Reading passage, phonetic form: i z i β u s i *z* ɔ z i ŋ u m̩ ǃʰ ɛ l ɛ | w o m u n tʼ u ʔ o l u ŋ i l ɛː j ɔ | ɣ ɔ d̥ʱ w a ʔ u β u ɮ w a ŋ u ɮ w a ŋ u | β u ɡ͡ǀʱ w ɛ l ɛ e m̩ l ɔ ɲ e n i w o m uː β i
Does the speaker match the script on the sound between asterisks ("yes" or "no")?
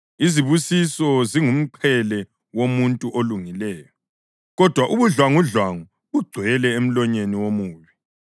no